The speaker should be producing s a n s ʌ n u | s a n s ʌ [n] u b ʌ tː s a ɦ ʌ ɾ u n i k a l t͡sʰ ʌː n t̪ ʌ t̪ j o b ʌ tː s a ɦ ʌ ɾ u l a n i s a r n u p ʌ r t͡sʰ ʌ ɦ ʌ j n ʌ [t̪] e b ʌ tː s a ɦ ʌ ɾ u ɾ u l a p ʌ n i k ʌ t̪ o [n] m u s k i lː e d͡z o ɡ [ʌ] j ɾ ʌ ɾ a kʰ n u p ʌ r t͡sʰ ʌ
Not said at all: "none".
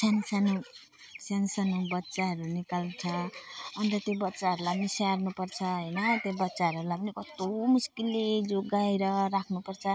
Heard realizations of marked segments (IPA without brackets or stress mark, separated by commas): n, t̪, none, a